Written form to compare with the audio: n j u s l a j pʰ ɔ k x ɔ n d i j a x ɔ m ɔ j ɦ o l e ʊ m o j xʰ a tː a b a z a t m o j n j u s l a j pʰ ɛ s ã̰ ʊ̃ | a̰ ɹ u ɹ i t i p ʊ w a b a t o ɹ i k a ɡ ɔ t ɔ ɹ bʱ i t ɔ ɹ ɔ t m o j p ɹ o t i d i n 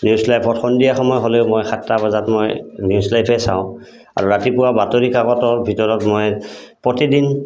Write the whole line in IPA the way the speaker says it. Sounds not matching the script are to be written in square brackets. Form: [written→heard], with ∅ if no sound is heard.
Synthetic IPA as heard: n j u s l a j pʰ ɔ [k→t] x ɔ n d i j a x ɔ m ɔ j ɦ o l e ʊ m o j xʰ a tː a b a z a t m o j n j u s l a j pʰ ɛ s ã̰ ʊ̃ | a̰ ɹ u ɹ [i→a] t i p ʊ w a b a t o ɹ i k a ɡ ɔ t ɔ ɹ bʱ i t ɔ ɹ ɔ t m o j p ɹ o t i d i n